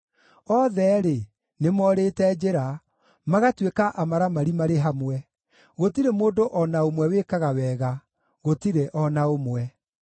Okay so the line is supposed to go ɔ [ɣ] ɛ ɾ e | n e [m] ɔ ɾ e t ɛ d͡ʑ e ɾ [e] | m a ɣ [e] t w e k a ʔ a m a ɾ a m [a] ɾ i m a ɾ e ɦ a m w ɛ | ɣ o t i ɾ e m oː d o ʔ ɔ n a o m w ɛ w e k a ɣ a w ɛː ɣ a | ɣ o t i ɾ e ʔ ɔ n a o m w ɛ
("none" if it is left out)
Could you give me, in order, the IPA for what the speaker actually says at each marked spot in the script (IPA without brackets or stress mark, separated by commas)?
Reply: ð, m, a, a, a